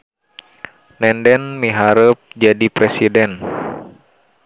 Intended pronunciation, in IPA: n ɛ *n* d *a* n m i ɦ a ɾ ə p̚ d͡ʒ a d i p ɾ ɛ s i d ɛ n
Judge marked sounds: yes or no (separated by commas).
yes, no